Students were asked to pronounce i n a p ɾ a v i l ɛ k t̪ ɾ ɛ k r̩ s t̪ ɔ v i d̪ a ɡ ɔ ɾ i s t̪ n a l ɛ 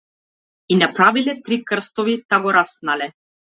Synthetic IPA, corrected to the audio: i n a p ɾ a v i l ɛ t̪ ɾ i k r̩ s t̪ ɔ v i t̪ a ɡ ɔ ɾ a s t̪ n a l ɛ